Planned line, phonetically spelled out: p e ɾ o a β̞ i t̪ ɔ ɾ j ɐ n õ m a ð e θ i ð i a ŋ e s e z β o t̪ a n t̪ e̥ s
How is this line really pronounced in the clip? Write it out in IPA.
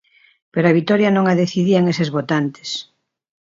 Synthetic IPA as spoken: p e ɾ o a β̞ i t̪ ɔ ɾ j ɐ n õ ŋ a ð e θ i ð i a ŋ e s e z β o t̪ a n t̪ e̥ s

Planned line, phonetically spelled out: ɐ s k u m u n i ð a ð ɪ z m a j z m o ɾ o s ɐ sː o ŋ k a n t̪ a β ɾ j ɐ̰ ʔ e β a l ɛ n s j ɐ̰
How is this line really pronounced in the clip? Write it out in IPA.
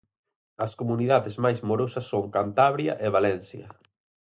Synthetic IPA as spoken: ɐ s k o m u n i ð a ð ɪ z m a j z m o ɾ o s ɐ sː o ŋ k a n t̪ a β ɾ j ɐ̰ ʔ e β a l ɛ n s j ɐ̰

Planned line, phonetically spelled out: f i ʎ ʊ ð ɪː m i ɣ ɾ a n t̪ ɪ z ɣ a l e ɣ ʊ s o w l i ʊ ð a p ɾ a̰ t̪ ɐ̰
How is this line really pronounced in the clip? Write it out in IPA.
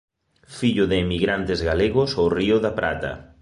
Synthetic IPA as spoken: f i ʎ ʊ ð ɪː m i ɣ ɾ a n t̪ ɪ z ɣ a l e ɣ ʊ s o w r i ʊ ð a p ɾ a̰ t̪ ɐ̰

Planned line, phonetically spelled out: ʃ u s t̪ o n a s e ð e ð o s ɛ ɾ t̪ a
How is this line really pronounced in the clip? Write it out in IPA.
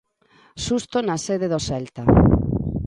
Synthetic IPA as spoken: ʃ u s t̪ o n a s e ð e ð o s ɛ l t̪ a

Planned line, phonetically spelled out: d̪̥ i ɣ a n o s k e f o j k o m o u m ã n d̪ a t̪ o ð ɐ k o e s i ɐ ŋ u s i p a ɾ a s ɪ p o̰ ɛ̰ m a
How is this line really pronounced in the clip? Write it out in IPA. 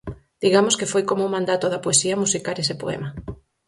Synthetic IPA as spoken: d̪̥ i ɣ a m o s k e f o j k o m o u m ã n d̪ a t̪ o ð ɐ p o e s i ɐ m u s i k a ɾ e s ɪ p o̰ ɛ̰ m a

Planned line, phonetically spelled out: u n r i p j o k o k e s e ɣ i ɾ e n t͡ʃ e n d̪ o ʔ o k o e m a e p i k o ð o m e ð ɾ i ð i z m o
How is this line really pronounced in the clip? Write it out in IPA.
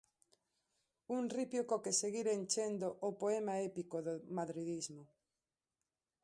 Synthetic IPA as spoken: u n r i p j o k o k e s e ɣ i ɾ e n t͡ʃ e n d̪ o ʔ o p o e m a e p i k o ð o m a ð ɾ i ð i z m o

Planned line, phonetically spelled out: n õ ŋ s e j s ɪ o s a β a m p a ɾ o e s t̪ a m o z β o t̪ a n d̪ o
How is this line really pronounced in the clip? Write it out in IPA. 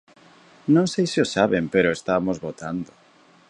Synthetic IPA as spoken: n õ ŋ s e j s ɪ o s a β e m p e ɾ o e s t̪ a m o z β o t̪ a n d̪ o

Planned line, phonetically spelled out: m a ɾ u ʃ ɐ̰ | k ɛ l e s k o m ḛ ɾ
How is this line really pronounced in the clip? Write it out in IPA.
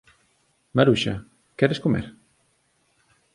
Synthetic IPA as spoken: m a ɾ u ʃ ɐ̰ | k ɛ ɾ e s k o m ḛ ɾ

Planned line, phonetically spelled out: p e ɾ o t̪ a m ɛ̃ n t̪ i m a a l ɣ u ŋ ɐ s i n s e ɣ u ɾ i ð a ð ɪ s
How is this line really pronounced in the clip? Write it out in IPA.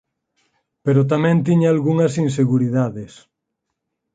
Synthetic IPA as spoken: p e ɾ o t̪ a m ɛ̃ n t̪ i ɲ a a l ɣ u ŋ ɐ s i n s e ɣ u ɾ i ð a ð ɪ s

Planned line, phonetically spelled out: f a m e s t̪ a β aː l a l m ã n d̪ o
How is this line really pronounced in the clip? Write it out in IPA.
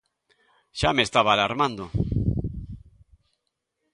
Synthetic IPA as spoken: ʃ a m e s t̪ a β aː l a ɾ m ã n d̪ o

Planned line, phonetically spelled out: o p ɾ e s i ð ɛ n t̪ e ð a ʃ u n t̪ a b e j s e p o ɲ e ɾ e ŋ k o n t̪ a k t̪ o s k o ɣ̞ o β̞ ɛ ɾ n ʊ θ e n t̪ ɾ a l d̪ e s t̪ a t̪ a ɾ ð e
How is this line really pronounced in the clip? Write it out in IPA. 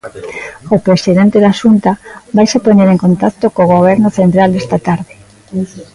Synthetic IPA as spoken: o p ɾ e s i ð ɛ n t̪ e ð a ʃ u n t̪ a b a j s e p o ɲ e ɾ e ŋ k o n t̪ a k t̪ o k o ɣ̞ o β̞ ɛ ɾ n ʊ θ e n t̪ ɾ a l d̪ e s t̪ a t̪ a ɾ ð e

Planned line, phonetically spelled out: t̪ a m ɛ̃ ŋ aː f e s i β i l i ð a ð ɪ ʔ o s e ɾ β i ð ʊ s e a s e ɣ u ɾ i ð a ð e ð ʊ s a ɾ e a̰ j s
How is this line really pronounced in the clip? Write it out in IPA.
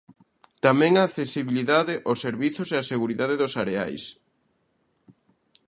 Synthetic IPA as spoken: t̪ a m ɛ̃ ŋ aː θ e s i β i l i ð a ð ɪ ʔ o s e ɾ β i θ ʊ s e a s e ɣ u ɾ i ð a ð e ð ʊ s a ɾ e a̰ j s

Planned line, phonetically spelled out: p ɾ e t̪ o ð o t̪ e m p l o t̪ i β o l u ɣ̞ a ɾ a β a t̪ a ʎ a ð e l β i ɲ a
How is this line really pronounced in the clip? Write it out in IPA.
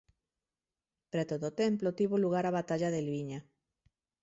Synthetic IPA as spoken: p ɾ e t̪ o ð o t̪ e m p l o t̪ i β o l u ɣ̞ a ɾ a β a t̪ a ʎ a ð e l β i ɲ a

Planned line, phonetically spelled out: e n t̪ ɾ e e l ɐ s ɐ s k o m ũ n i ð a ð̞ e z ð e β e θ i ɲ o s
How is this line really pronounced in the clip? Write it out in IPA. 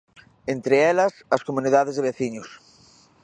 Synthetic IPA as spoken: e n t̪ ɾ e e l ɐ s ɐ s k o m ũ n i ð a ð̞ e z ð e β e θ i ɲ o s

